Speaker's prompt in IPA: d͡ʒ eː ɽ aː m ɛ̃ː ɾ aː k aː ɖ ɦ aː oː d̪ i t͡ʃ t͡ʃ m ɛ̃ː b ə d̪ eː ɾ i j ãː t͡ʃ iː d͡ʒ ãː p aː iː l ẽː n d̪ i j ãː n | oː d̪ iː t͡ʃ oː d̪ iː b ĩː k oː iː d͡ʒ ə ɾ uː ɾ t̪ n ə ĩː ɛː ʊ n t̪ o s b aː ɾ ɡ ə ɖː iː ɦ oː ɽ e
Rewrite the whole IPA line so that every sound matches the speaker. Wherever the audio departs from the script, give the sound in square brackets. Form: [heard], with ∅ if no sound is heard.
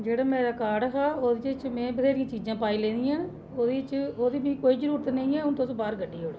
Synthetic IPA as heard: d͡ʒ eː ɽ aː m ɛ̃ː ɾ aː k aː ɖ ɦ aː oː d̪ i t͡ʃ t͡ʃ m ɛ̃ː b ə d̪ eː ɾ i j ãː t͡ʃ iː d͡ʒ ãː p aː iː l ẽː n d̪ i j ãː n | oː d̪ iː t͡ʃ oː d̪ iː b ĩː k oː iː d͡ʒ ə ɾ uː ɾ t̪ n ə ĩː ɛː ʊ n t̪ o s b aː ɾ ɡ ə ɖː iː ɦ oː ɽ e

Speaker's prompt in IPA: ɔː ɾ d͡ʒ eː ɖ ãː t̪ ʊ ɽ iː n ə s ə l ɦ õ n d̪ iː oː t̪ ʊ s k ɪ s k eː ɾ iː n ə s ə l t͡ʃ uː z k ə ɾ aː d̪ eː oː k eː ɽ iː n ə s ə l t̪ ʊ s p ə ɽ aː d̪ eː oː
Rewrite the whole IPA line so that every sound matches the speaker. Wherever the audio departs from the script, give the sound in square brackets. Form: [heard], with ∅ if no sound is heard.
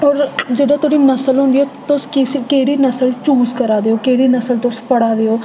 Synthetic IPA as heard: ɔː ɾ d͡ʒ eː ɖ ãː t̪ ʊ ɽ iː n ə s ə l ɦ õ n d̪ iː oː t̪ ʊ s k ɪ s k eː [ɽ] iː n ə s ə l t͡ʃ uː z k ə ɾ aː d̪ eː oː k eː ɽ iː n ə s ə l t̪ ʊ s p ə ɽ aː d̪ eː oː

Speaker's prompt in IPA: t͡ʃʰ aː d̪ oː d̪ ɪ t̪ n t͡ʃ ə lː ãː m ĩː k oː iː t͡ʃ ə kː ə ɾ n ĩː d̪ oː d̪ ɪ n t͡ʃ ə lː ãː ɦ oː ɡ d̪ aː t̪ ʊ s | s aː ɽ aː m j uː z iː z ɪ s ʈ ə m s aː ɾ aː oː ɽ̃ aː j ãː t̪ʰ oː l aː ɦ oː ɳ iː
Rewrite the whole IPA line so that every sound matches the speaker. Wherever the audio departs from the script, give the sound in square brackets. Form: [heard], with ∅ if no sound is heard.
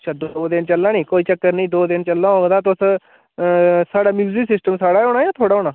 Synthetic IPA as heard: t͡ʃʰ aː d̪ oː d̪ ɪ [∅] n t͡ʃ ə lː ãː [n] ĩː k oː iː t͡ʃ ə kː ə ɾ n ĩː d̪ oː d̪ ɪ n t͡ʃ ə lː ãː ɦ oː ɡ d̪ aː t̪ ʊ s | s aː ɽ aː m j uː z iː [s] ɪ s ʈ ə m s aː [ɽ] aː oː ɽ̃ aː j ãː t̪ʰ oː [ɽ] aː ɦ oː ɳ [aː]

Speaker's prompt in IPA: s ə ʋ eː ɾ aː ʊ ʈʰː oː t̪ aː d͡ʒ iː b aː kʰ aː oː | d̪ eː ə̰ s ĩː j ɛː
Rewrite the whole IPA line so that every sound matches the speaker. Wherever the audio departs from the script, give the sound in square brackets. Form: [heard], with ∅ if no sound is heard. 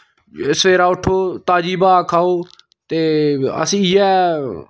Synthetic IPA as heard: s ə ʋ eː ɾ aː ʊ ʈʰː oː t̪ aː d͡ʒ iː b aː kʰ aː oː | [t̪] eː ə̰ s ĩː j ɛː

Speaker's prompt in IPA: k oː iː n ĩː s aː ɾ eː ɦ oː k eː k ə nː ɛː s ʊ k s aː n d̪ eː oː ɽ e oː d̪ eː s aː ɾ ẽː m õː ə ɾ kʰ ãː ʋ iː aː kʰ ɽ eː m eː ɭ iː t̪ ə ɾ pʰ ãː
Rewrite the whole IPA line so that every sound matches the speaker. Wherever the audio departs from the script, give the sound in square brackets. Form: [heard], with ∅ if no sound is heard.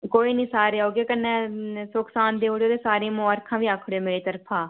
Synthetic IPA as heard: k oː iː n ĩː s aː ɾ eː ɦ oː [ɡ] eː k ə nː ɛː s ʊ k s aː n d̪ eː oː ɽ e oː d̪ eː s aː ɾ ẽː m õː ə ɾ kʰ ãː ʋ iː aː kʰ ɽ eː m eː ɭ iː t̪ ə ɾ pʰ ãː

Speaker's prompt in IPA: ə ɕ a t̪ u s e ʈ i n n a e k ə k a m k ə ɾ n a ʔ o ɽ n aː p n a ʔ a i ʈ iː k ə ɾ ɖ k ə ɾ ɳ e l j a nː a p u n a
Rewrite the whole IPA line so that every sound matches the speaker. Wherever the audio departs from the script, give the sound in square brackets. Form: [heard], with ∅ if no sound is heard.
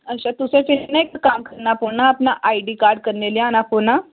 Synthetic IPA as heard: ə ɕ a t̪ u s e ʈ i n n a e k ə k a m k ə ɾ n a [p] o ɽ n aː p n a ʔ a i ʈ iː k [a] ɾ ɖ k ə ɾ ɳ e l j a [n] a p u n a

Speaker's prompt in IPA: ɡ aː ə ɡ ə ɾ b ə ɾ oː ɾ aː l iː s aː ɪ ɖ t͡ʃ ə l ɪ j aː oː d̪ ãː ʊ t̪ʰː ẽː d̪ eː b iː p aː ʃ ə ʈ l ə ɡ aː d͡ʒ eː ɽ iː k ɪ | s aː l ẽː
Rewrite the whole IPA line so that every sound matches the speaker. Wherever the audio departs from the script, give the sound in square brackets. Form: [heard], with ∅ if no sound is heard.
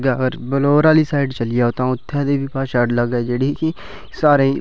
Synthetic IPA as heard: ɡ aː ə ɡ ə ɾ b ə [l] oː ɾ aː l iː s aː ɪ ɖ t͡ʃ ə l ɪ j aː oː [t̪] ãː ʊ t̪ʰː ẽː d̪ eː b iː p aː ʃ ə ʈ l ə ɡ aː d͡ʒ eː ɽ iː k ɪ | s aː [ɾ] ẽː

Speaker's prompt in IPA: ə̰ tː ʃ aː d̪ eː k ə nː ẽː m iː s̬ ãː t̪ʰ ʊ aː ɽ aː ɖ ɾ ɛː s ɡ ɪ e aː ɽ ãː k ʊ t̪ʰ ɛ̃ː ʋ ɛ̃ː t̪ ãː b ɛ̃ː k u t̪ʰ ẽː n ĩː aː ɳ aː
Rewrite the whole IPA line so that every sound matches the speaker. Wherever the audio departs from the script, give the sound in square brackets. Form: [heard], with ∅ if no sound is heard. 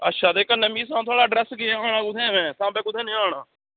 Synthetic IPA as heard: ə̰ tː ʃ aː d̪ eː k ə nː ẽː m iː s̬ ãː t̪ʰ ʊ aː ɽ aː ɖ ɾ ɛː s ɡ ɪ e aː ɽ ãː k ʊ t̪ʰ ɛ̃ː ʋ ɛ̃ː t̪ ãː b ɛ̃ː k [ʊ] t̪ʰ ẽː n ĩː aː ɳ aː

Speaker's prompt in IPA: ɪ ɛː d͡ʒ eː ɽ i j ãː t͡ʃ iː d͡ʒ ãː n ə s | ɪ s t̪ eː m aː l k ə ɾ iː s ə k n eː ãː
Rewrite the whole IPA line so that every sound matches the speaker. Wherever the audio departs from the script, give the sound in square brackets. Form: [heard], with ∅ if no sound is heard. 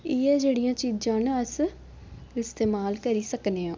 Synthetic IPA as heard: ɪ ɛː d͡ʒ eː ɽ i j ãː t͡ʃ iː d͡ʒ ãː n ə s | ɪ s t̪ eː m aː l k ə ɾ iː s ə k n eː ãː

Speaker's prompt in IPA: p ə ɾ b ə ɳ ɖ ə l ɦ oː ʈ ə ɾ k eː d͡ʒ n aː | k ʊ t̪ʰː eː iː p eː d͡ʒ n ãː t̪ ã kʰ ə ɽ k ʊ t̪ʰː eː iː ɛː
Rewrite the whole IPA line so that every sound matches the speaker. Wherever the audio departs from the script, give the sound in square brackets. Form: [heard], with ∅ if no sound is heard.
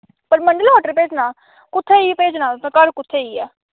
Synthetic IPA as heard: p ə ɾ [m] ə ɳ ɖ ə l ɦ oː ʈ ə ɾ [p] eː d͡ʒ n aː | k ʊ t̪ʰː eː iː p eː d͡ʒ n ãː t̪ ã [k] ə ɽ k ʊ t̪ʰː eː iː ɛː

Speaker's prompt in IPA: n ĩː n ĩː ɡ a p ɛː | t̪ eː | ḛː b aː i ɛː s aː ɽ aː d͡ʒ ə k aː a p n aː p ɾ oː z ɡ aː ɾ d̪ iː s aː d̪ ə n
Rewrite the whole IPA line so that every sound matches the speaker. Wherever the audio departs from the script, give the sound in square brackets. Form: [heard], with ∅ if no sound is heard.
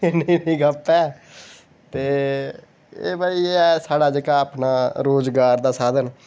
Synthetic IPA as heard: n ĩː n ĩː ɡ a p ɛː | t̪ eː | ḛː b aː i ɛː s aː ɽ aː d͡ʒ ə k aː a p n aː [∅] ɾ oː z ɡ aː ɾ d̪ [aː] s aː d̪ ə n

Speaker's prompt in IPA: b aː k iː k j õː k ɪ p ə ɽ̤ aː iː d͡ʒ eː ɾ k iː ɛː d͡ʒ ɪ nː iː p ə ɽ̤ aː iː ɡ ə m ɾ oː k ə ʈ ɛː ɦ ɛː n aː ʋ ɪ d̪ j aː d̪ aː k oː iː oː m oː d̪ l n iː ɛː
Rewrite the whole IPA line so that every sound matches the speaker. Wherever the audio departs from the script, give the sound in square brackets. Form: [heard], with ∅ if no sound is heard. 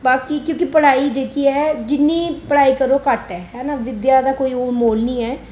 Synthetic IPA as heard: b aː k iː k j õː k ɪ p ə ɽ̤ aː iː d͡ʒ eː [∅] k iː ɛː d͡ʒ ɪ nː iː p ə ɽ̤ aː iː [k] ə [∅] ɾ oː k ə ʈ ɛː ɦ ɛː n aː ʋ ɪ d̪ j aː d̪ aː k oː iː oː m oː [∅] l n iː ɛː

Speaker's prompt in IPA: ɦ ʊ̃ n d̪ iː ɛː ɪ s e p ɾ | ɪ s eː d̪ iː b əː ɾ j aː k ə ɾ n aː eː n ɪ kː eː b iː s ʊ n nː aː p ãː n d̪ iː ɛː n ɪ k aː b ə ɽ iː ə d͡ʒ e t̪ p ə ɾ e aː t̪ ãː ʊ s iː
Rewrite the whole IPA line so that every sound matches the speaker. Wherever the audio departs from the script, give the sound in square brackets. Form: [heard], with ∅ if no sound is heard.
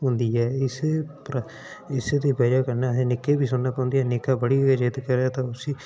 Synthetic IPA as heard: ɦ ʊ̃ n d̪ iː ɛː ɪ s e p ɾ | ɪ s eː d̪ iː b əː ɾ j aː k ə ɾ n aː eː n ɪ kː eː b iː s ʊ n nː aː p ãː n d̪ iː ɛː n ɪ k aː b ə ɽ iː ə d͡ʒ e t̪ [k] ə ɾ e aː t̪ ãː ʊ s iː

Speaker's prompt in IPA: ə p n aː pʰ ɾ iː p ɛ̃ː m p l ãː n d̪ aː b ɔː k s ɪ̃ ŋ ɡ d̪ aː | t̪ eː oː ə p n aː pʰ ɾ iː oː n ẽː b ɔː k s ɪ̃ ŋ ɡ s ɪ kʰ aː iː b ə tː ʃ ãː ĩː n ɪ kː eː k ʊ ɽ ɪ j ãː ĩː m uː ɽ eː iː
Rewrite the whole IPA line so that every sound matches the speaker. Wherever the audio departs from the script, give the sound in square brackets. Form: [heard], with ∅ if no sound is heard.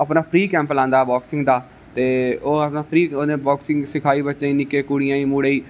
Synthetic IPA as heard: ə p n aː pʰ ɾ iː [k] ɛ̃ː m p l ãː n d̪ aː b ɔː k s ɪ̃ ŋ ɡ d̪ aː | t̪ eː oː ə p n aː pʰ ɾ iː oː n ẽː b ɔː k s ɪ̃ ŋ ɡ s ɪ kʰ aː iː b ə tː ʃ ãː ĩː n ɪ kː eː k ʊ ɽ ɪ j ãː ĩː m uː ɽ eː iː

